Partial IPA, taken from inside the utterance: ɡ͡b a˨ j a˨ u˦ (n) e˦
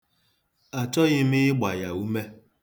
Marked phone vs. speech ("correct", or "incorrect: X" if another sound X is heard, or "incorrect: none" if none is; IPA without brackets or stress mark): incorrect: m